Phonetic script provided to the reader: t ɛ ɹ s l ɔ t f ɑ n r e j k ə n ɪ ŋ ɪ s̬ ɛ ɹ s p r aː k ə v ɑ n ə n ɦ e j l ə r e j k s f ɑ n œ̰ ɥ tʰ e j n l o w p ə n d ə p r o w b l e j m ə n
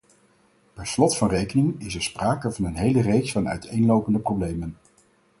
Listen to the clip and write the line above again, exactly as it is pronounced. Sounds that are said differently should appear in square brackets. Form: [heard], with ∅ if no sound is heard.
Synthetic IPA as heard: [p] ɛ ɹ s l ɔ t f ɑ n r e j k ə n ɪ ŋ ɪ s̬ ɛ ɹ s p r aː k ə v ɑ n ə n ɦ e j l ə r e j k s f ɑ n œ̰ ɥ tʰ e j n l o w p ə n d ə p r o w b l e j m ə n